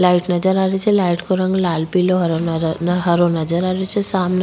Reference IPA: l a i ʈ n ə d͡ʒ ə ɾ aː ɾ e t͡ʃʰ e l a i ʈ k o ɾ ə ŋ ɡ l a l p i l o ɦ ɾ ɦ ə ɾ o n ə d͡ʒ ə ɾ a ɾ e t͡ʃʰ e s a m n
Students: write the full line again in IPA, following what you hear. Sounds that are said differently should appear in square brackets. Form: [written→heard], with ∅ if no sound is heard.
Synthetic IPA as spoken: l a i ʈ n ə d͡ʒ ə ɾ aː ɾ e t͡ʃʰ e l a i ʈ k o ɾ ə ŋ ɡ l a l p i l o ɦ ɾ ɦ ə ɾ o n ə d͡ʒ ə ɾ a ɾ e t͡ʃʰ e s a m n